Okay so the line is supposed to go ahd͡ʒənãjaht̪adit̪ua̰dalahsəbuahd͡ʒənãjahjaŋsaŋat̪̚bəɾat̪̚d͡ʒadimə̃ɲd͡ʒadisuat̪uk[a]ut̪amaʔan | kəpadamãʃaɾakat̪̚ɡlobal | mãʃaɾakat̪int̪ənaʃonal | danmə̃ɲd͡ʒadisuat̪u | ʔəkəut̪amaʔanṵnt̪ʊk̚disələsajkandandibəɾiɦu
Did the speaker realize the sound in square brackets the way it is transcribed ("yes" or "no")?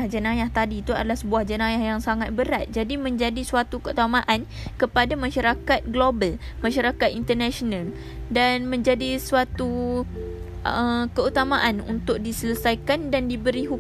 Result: no